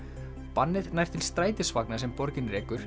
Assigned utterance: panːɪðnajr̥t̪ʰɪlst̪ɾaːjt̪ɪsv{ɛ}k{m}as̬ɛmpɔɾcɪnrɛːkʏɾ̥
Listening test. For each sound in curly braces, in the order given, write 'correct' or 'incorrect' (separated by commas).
incorrect, incorrect